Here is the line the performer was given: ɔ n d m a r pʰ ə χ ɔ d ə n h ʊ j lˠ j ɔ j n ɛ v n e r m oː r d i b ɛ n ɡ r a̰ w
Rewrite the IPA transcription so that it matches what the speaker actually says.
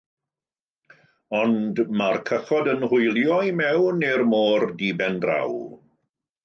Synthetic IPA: ɔ n d m a r kʰ ə χ ɔ d ə n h ʊ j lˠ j ɔ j m ɛ w n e r m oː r d i b ɛ n d r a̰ w